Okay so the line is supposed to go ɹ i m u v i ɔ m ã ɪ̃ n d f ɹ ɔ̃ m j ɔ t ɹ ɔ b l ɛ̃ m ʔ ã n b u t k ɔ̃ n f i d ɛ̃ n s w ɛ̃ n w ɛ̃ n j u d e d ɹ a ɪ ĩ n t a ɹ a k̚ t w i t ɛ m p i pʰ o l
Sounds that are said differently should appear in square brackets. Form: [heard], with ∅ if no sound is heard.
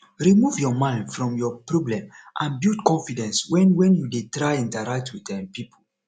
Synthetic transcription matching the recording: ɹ i m u v [j] ɔ m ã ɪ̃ n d f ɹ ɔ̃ m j ɔ [p] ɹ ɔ b l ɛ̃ m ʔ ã n b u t k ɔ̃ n f i d ɛ̃ n s w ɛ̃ n w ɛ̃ n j u d e [t] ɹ a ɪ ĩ n t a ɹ a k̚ t w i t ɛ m p i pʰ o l